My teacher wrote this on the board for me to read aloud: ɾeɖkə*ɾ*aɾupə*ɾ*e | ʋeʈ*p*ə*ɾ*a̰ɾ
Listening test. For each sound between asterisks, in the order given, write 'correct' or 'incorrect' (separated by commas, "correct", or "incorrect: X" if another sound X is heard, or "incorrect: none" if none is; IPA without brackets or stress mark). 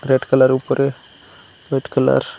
incorrect: l, correct, incorrect: k, incorrect: l